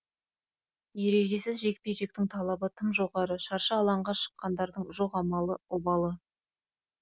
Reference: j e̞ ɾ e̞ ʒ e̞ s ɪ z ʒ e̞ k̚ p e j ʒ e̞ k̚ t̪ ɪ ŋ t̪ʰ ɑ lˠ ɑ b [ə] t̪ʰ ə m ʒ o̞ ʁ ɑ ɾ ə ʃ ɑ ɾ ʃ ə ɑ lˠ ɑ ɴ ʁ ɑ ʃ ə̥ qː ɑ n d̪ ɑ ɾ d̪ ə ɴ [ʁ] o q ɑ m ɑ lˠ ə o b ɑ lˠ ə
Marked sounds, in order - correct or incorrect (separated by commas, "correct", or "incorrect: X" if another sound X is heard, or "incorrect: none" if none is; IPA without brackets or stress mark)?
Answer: correct, incorrect: ʒ